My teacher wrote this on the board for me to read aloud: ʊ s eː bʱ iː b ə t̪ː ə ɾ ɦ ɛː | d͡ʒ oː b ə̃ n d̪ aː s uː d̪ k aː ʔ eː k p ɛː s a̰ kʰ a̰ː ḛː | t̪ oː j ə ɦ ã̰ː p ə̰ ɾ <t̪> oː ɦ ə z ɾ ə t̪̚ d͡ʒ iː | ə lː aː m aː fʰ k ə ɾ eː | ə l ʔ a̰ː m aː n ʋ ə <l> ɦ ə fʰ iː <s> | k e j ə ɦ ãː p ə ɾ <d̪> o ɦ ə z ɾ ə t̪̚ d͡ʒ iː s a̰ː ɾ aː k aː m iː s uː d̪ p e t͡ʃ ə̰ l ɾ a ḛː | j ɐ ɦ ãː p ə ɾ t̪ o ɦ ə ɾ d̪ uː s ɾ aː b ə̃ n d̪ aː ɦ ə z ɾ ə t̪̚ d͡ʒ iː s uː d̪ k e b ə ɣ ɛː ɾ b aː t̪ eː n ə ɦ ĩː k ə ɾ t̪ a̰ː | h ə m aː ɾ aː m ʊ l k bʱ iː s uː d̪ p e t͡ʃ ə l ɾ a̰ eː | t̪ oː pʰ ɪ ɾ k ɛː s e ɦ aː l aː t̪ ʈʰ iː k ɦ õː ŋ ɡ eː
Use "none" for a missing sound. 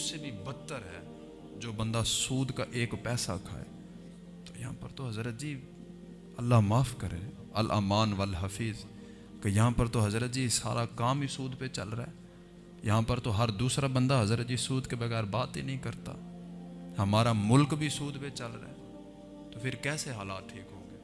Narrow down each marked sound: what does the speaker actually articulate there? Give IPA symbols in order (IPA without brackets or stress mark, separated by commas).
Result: t̪, l, z, t̪